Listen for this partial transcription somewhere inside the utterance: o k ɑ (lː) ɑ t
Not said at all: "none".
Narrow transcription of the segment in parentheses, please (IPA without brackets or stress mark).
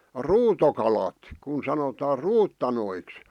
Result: l